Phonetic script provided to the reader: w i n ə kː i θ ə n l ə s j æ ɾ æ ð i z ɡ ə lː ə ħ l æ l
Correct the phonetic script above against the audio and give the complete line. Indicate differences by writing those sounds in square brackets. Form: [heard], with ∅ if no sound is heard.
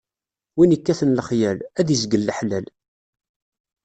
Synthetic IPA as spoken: w i n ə kː [æ] θ ə n l ə [χ] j æ [l] æ ð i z ɡ ə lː ə ħ l æ l